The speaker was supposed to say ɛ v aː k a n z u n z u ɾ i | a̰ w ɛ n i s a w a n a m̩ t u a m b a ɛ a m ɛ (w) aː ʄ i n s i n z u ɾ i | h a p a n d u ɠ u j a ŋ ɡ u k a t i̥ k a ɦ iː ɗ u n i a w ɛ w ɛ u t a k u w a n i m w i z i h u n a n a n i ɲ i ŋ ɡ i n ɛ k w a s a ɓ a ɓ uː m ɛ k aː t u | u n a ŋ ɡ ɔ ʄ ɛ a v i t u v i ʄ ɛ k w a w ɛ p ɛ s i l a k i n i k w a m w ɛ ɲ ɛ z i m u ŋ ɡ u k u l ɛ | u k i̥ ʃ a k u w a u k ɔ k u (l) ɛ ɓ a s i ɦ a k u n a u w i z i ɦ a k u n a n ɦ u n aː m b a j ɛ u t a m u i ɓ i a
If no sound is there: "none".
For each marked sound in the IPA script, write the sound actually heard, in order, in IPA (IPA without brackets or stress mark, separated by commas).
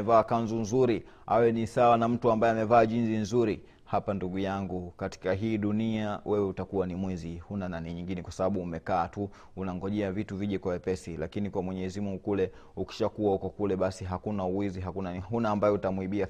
v, l